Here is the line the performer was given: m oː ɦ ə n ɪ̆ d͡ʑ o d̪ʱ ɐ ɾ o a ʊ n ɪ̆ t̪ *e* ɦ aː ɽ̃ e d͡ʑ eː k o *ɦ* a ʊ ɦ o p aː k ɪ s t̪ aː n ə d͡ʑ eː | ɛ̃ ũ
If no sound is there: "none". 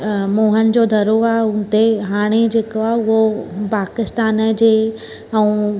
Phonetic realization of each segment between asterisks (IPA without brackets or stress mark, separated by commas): e, none